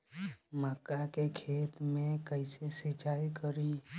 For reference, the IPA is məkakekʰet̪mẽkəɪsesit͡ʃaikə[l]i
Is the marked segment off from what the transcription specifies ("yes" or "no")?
yes